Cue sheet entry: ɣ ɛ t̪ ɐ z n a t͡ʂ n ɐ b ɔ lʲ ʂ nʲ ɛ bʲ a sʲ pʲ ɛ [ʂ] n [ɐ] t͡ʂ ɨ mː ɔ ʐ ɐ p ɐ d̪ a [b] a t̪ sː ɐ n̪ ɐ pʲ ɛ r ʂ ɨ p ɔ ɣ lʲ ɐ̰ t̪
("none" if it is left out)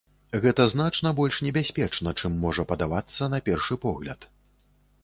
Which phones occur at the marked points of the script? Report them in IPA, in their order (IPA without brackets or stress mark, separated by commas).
t͡ʂ, ɐ, v